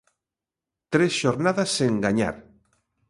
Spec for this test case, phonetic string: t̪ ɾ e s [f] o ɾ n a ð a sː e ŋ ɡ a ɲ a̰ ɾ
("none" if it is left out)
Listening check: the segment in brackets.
ʃ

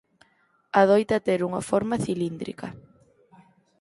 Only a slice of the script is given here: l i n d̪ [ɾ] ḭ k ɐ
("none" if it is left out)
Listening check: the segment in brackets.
ɾ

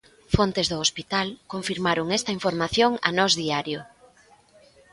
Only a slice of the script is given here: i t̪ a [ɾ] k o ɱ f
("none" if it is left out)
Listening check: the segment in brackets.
l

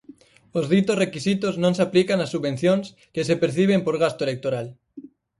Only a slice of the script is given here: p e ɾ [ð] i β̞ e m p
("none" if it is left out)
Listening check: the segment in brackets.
θ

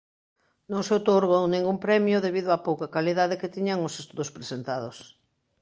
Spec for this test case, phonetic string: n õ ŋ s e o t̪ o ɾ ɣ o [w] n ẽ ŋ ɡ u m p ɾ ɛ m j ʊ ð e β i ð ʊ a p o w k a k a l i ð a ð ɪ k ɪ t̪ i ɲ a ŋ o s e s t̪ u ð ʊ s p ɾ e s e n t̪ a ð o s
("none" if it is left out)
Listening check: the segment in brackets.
w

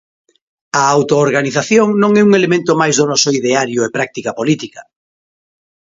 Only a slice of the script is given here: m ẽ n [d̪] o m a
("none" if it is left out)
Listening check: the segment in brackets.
t̪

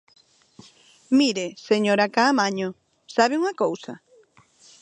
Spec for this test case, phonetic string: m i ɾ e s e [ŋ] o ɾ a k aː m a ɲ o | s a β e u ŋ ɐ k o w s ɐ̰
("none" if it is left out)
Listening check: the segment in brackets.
ɲ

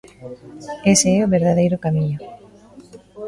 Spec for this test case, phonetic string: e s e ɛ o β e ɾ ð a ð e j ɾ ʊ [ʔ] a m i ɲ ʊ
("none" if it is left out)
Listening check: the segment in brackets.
k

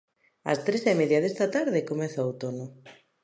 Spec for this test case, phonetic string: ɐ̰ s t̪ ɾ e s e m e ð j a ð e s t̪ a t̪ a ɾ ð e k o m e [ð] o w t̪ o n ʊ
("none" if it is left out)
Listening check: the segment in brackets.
θ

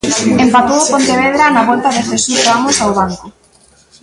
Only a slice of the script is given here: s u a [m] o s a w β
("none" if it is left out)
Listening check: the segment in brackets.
m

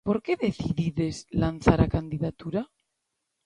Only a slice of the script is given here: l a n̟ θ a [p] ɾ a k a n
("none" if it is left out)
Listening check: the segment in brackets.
none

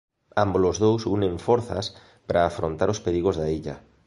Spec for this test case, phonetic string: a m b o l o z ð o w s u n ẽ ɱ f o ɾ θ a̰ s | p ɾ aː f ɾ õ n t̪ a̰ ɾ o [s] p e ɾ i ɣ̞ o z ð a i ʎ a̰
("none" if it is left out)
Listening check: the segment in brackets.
s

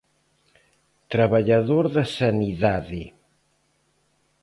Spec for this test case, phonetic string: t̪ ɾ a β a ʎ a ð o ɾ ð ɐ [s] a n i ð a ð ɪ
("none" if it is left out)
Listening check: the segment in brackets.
s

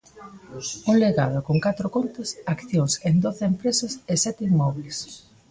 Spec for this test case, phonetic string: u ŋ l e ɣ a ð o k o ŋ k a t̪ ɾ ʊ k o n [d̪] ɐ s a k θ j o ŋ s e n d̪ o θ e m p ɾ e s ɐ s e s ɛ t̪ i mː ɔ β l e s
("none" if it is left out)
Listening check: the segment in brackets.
t̪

